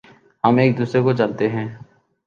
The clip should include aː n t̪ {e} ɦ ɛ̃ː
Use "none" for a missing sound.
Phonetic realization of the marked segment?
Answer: e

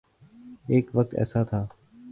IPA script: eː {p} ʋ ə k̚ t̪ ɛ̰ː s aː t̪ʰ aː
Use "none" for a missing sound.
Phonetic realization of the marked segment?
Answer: k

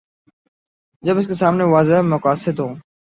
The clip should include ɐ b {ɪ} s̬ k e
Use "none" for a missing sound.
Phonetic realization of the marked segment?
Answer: ɪ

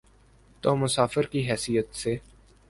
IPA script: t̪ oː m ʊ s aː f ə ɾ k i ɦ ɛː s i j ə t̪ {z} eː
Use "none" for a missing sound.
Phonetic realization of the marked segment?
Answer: s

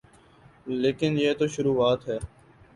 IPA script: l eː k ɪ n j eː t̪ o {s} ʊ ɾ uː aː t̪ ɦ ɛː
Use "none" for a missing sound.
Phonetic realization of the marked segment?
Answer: ʃ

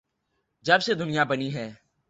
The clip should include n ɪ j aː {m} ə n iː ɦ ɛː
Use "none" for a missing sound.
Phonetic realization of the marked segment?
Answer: b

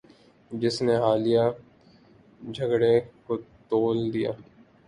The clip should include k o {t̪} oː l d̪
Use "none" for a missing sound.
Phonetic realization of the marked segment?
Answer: t̪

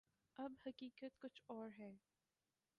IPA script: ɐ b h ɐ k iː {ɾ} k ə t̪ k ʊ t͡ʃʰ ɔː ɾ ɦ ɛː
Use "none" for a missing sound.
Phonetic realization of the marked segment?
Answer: none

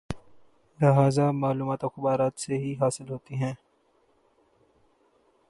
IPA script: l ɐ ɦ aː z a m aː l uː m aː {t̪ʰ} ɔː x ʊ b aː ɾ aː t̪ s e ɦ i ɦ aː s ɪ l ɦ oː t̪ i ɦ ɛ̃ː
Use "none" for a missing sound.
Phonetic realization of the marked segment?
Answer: t̪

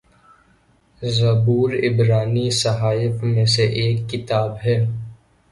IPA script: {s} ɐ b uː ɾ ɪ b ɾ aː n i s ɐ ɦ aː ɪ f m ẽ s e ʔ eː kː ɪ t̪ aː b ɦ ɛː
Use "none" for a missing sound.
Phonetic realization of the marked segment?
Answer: z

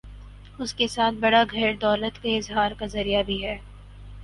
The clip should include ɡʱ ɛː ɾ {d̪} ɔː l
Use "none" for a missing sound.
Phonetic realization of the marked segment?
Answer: d̪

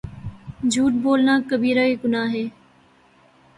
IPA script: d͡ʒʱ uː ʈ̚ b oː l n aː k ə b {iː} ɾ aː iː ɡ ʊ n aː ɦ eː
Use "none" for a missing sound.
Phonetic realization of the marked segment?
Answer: iː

